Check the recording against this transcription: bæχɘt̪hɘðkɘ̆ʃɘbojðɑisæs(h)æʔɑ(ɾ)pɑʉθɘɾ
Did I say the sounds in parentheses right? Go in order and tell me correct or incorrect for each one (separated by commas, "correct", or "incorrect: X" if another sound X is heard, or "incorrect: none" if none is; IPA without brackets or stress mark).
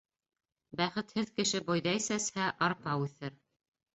correct, correct